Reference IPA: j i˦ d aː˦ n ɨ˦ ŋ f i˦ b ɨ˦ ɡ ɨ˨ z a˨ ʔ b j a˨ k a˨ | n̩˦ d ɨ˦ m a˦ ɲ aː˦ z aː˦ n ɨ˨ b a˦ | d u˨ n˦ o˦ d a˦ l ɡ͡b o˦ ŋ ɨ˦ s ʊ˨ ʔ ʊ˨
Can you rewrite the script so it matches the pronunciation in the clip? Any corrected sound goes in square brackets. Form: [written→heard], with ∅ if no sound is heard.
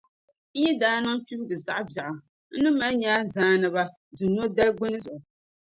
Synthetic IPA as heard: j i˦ d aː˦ n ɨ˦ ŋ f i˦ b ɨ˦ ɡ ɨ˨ z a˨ ʔ b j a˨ [k→ʔ] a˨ | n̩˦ [d→n] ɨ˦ m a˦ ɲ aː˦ z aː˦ n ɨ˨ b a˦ | d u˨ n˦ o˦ d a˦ l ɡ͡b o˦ [ŋ→n] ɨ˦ [s→z] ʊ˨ ʔ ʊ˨